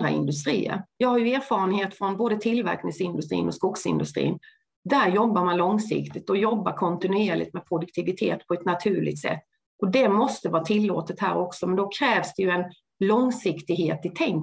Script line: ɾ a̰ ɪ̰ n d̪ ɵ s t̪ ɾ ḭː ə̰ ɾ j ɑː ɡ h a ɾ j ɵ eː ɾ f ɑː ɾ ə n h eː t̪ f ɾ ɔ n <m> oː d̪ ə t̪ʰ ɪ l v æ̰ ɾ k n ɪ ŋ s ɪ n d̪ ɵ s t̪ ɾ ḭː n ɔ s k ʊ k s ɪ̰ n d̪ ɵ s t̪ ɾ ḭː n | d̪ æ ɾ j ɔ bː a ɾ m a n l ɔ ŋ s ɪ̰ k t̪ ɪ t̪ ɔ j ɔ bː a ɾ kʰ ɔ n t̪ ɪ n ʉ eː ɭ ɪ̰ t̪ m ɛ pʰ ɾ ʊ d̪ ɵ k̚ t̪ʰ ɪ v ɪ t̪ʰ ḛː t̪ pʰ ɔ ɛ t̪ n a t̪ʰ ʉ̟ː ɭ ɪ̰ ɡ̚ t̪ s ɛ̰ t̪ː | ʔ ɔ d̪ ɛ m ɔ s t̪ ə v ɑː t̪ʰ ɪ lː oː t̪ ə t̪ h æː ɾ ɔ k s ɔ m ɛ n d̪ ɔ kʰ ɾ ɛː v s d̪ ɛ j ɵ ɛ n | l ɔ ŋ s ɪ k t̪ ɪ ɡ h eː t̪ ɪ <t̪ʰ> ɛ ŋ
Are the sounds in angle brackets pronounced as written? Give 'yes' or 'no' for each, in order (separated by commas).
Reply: no, yes